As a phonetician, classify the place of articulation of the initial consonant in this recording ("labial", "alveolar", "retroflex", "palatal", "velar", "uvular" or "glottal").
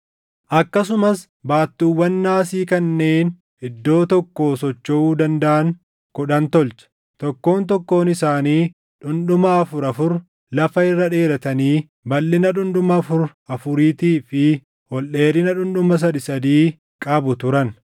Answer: glottal